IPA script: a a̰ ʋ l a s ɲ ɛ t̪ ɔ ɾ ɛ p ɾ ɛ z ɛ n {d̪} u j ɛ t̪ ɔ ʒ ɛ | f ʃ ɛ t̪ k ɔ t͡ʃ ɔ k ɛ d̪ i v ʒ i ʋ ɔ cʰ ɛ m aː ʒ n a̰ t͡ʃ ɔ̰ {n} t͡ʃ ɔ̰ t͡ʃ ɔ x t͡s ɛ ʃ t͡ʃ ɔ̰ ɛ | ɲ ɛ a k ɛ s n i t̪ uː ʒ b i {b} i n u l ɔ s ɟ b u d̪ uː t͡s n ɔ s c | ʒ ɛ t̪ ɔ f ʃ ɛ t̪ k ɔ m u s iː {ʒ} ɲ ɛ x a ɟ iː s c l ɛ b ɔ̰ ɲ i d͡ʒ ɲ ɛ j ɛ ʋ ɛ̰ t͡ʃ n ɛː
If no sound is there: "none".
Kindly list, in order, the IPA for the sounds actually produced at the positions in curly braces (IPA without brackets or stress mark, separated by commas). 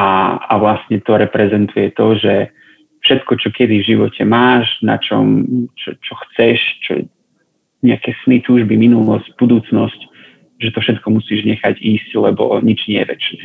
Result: t̪, m, m, ʒ